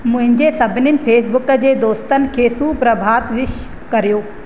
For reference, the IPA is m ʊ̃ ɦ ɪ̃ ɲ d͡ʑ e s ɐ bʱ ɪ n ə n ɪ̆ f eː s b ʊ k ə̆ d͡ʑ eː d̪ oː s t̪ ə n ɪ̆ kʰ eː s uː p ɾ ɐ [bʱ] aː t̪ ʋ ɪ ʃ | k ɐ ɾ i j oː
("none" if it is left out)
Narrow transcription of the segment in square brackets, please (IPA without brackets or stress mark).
bʱ